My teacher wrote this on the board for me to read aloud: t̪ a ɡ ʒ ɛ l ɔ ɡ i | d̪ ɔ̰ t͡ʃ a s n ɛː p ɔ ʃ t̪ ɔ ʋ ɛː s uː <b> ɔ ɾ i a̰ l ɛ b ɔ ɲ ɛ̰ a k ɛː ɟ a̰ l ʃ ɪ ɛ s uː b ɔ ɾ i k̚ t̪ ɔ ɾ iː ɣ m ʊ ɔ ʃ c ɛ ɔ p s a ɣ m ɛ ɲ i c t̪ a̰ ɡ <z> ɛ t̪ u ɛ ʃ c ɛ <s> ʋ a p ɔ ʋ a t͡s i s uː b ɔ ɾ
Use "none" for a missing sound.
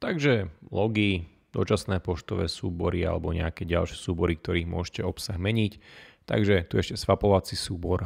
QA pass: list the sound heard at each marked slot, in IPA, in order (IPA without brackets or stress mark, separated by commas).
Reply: b, ʒ, s